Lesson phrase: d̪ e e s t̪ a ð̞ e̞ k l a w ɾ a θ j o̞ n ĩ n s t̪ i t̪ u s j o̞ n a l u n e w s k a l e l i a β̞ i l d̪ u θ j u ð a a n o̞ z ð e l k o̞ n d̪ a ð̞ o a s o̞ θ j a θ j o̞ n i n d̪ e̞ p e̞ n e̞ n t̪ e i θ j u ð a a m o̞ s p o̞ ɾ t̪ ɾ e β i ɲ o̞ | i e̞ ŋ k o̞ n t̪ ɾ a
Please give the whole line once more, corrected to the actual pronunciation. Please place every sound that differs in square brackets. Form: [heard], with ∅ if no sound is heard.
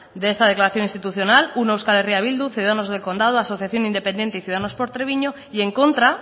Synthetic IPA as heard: d̪ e e s t̪ a ð̞ e̞ k l a [∅] ɾ a θ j o̞ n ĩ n s t̪ i t̪ u [θ] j o̞ n a l u n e w s k a l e [r] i a β̞ i l d̪ u θ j u ð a a n o̞ z ð e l k o̞ n d̪ a ð̞ o a s o̞ θ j a θ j o̞ n i n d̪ e̞ p e̞ n e̞ n t̪ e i θ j u ð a a [n] o̞ s p o̞ ɾ t̪ ɾ e β i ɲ o̞ | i e̞ ŋ k o̞ n t̪ ɾ a